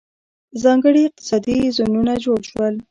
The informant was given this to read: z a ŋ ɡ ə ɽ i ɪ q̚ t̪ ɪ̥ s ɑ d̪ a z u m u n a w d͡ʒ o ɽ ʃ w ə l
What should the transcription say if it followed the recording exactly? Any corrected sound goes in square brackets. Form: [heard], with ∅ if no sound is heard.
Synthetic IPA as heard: z [ɑ] ŋ ɡ ə ɽ i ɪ q̚ t̪ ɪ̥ s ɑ d̪ [i] z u [n] u n a [∅] d͡ʒ o ɽ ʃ w ə l